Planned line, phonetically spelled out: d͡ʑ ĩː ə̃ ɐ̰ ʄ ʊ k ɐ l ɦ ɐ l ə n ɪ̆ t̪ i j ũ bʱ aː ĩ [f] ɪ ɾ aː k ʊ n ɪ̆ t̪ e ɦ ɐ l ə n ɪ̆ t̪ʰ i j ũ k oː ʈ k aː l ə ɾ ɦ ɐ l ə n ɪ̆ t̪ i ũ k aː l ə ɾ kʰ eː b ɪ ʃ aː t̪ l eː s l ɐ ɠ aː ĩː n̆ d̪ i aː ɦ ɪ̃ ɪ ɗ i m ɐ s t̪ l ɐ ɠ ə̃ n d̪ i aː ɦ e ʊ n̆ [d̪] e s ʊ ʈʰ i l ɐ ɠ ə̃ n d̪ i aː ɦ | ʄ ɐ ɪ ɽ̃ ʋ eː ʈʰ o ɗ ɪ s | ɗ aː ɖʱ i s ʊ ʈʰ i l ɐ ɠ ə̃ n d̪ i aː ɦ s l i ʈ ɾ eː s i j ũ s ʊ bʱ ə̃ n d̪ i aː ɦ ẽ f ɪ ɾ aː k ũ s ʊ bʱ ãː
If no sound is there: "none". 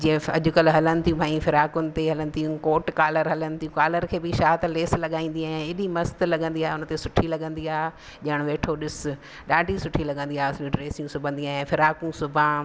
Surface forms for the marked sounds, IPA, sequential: f, t̪

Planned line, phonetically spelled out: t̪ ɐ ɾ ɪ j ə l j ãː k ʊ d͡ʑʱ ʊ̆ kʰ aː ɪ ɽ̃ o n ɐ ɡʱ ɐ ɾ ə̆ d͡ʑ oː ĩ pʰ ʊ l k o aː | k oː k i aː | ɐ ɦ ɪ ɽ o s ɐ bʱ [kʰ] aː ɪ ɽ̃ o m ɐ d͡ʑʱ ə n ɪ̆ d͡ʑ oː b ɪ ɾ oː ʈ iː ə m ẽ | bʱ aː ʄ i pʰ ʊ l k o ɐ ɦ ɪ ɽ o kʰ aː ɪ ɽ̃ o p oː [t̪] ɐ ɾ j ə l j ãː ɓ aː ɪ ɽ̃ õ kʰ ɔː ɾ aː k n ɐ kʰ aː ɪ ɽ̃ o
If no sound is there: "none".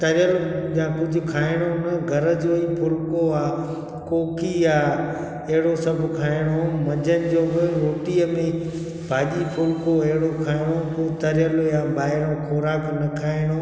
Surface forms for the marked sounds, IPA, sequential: kʰ, t̪

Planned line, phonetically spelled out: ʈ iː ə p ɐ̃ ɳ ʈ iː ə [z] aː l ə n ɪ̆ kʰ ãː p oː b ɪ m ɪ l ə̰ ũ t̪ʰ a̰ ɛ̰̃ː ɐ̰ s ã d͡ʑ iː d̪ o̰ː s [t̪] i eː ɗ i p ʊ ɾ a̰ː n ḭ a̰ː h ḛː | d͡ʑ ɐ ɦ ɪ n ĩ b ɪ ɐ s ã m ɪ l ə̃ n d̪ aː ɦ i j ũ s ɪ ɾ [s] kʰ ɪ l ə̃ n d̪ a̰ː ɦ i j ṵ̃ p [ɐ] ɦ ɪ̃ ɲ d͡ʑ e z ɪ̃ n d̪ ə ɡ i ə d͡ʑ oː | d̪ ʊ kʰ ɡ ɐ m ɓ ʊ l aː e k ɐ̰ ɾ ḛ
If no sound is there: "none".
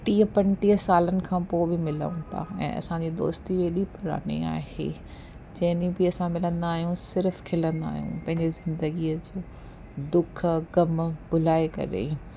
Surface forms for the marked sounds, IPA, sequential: s, t̪, f, ɐ̃

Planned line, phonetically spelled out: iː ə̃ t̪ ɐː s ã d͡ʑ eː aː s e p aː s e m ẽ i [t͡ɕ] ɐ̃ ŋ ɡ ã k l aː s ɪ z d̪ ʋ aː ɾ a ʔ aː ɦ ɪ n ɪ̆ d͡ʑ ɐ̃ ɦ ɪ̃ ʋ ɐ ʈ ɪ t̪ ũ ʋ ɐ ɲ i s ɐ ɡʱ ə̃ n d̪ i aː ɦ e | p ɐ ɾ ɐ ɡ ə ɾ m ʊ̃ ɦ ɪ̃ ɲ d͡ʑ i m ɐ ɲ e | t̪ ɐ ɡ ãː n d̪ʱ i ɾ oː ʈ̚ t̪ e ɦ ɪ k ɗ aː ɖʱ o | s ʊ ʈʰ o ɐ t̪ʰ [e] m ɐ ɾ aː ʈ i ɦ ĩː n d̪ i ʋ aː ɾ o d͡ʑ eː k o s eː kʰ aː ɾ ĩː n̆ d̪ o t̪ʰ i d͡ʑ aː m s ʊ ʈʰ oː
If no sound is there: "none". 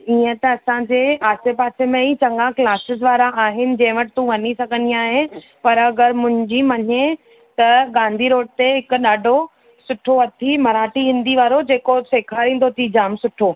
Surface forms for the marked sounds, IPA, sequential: t͡ɕ, i

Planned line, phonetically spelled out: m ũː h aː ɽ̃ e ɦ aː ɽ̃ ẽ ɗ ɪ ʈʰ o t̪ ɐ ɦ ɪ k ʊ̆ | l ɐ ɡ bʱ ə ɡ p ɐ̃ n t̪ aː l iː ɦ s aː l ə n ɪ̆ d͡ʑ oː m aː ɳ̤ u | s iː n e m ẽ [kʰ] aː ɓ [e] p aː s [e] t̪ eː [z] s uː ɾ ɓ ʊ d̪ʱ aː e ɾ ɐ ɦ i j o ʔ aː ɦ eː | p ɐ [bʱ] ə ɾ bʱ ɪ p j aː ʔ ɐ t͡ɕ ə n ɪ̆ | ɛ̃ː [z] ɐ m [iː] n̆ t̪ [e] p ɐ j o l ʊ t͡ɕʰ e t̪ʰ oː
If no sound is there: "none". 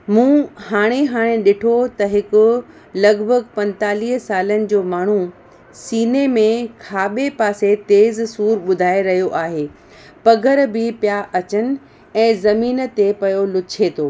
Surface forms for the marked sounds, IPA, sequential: kʰ, e, e, z, ɡʱ, z, iː, e

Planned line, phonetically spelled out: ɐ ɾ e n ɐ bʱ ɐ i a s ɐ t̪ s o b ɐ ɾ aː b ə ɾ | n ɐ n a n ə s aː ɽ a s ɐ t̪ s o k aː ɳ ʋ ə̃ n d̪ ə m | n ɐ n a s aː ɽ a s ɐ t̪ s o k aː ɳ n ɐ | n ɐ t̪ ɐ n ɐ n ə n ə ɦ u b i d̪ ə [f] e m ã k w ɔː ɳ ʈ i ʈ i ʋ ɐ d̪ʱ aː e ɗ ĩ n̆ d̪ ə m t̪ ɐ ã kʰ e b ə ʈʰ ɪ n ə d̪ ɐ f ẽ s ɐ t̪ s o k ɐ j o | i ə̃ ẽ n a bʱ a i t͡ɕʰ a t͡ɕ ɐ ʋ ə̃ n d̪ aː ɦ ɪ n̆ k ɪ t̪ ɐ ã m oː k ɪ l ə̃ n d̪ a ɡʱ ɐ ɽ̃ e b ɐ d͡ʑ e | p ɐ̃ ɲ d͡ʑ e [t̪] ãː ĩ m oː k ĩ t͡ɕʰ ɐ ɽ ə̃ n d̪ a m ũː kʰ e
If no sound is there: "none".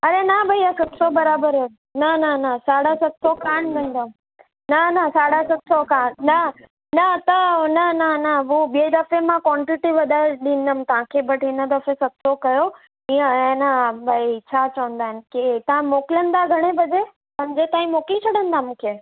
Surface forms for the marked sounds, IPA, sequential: f, t̪

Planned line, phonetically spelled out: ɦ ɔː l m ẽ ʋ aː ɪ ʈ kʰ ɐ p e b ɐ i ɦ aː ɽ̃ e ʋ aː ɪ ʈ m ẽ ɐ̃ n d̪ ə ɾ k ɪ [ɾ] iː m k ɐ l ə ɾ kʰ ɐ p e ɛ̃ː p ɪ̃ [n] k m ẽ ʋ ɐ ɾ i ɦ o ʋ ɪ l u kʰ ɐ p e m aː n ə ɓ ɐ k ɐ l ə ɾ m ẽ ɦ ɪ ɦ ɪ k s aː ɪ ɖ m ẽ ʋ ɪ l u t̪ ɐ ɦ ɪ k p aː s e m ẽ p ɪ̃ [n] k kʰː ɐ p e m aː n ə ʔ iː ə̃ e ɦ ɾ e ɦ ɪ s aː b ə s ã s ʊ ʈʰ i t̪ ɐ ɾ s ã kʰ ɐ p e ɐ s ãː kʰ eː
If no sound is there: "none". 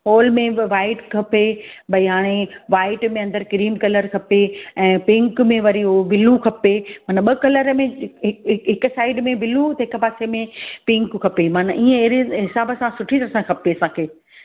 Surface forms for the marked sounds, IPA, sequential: ɾ, ŋ, ŋ

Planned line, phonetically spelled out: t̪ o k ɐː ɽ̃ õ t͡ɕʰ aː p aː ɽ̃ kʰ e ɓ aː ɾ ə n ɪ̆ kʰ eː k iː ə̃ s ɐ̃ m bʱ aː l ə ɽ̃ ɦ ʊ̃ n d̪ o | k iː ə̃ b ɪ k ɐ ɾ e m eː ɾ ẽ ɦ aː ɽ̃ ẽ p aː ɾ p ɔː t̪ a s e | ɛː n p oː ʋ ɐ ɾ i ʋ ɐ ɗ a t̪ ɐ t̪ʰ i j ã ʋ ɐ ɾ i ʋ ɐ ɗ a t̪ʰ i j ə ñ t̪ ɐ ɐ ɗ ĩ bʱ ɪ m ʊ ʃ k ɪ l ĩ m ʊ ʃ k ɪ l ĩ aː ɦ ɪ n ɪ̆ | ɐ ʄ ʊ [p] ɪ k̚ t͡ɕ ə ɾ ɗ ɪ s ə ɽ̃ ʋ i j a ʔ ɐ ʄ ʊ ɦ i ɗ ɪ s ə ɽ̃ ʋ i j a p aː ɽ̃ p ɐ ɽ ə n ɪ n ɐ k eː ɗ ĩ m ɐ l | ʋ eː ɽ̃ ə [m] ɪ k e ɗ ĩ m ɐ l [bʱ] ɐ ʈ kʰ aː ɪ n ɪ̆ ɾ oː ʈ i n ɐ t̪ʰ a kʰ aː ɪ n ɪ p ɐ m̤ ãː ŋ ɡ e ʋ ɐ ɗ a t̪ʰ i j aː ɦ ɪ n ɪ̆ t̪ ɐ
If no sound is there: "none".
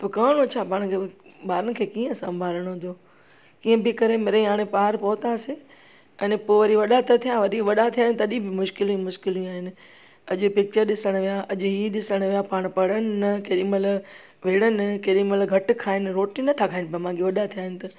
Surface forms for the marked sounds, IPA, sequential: p, n, ɡʱ

